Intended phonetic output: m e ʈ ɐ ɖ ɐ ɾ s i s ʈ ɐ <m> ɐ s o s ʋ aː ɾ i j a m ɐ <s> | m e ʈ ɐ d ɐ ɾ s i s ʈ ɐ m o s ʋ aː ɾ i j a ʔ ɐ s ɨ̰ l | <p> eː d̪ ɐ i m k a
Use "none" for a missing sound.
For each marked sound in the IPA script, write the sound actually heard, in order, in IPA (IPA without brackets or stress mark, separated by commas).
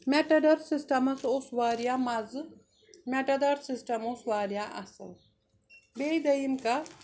m, z, b